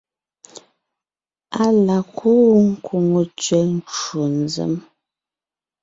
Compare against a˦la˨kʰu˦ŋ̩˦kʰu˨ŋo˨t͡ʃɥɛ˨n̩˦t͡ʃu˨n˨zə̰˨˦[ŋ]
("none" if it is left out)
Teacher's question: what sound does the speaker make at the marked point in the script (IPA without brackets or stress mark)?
m